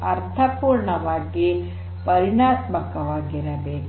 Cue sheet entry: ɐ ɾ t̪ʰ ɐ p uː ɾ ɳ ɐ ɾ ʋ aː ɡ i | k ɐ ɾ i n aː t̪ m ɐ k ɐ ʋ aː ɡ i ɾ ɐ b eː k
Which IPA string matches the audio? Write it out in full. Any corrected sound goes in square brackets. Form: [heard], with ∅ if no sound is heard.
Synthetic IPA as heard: ɐ ɾ t̪ʰ ɐ p uː ɾ ɳ ɐ [∅] ʋ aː ɡ i | [p] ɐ ɾ i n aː t̪ m ɐ k ɐ ʋ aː ɡ i ɾ ɐ b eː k